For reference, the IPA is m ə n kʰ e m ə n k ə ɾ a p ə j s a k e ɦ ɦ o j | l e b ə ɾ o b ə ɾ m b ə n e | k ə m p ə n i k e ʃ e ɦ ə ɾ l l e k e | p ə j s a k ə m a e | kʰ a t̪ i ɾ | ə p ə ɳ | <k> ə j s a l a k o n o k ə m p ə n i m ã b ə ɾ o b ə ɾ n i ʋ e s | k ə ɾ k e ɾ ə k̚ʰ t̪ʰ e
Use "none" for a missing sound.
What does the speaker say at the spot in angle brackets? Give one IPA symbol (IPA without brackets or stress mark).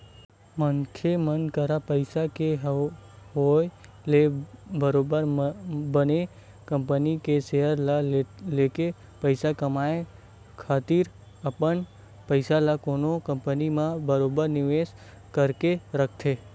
p